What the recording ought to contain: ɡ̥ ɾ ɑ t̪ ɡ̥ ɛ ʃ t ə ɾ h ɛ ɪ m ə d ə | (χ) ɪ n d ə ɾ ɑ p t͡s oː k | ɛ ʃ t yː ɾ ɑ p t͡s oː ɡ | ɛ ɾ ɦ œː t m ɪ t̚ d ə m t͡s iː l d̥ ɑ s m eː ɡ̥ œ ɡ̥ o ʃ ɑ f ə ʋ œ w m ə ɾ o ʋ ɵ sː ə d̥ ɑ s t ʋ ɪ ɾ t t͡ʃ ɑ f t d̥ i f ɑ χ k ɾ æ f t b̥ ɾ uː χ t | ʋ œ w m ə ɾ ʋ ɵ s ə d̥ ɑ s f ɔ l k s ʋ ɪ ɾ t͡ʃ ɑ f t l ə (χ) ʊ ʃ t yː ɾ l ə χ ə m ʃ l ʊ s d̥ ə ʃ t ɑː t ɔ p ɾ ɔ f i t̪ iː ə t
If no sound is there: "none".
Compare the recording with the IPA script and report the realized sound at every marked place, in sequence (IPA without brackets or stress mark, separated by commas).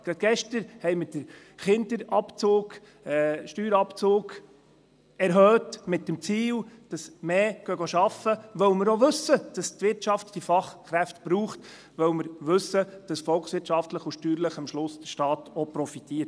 χ, χ